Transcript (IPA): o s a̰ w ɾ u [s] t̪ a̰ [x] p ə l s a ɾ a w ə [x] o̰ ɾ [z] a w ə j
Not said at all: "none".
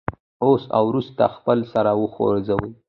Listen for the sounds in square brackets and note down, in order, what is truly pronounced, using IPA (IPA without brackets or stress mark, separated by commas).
s, x, x, z